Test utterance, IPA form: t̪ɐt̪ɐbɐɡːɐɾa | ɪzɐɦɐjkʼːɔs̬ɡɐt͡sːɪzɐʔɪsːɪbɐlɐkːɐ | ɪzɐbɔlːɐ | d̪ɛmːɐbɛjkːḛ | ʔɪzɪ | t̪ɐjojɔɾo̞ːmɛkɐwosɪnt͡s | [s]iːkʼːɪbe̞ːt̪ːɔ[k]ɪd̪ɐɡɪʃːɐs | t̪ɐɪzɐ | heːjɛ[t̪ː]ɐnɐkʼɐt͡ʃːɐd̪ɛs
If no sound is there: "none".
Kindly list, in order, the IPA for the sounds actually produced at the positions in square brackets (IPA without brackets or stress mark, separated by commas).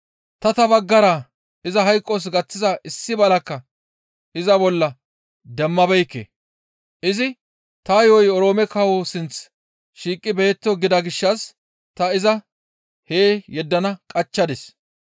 ʃ, ɡ, d̪ː